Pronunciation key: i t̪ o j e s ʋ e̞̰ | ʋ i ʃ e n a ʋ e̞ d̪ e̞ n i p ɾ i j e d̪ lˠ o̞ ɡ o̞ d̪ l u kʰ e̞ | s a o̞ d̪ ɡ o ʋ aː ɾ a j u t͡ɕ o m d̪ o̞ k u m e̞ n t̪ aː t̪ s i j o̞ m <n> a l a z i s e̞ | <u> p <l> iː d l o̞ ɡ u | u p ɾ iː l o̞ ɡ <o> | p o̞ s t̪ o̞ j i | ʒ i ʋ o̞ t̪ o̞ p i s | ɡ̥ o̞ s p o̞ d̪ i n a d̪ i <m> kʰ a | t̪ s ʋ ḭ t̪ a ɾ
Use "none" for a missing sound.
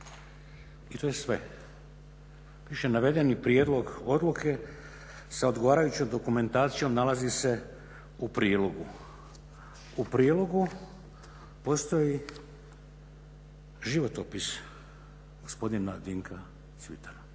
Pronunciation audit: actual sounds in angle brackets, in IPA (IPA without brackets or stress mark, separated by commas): n, u, ɾ, u, ŋ